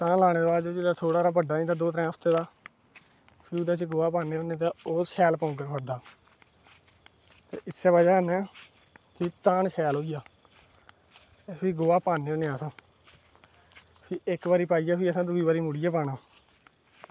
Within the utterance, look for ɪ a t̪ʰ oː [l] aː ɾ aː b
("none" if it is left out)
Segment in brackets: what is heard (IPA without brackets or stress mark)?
ɽ